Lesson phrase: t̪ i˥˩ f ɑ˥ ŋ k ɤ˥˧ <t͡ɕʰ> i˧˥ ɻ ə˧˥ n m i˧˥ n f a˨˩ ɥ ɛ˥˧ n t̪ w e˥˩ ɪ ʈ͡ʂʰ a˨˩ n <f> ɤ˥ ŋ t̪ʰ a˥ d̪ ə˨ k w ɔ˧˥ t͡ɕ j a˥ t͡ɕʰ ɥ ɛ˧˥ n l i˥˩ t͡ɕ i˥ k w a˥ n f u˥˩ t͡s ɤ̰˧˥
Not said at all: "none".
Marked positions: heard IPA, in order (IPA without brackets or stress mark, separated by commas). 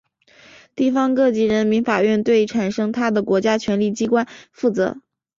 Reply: t͡ɕ, ʂ